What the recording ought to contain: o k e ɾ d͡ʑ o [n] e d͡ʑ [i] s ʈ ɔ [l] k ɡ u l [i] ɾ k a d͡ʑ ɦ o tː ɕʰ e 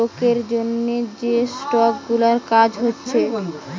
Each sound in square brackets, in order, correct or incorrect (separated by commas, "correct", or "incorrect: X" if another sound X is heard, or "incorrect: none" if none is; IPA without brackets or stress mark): incorrect: nː, incorrect: e, incorrect: none, incorrect: a